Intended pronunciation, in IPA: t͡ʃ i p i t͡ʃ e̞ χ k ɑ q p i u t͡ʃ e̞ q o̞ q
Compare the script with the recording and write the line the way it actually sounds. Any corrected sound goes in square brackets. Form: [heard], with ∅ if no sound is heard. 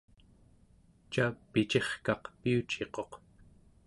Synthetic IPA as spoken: t͡ʃ [a] p i t͡ʃ e̞ χ k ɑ q p i u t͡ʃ e̞ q o̞ q

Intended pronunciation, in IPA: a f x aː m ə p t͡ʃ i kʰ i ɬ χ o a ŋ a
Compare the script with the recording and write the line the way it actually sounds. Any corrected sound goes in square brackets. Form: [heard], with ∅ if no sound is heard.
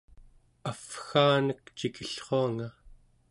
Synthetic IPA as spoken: a f x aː [n] ə [k] t͡ʃ i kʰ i ɬ χ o a ŋ a

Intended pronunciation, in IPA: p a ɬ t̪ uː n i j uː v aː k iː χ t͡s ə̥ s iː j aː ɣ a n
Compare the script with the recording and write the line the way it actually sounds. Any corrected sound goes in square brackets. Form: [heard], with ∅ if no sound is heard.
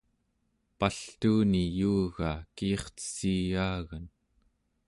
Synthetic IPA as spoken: p a ɬ t̪ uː n i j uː [ɣ] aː k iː χ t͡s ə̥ s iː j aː ɣ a n

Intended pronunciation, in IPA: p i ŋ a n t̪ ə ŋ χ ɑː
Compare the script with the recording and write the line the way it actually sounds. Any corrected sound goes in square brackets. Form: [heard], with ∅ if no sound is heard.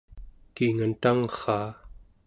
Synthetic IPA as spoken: [k] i ŋ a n t̪ [a] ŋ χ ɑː

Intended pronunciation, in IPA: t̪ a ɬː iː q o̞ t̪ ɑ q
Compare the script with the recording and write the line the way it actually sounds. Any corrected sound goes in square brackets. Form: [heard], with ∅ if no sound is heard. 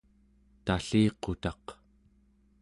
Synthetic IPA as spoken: t̪ a [ɬ] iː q o̞ t̪ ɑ q

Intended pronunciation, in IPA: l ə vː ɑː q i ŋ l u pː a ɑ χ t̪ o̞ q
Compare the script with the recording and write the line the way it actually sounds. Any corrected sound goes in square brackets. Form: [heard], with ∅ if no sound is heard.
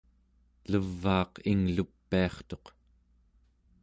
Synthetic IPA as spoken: l ə vː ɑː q i ŋ l u pː [i] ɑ χ t̪ o̞ q

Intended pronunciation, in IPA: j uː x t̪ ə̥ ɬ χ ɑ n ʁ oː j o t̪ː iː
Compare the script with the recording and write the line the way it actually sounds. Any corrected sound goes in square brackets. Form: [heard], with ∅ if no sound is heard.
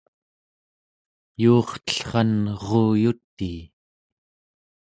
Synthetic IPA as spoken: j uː [χ] t̪ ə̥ ɬ χ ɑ n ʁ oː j [u] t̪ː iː

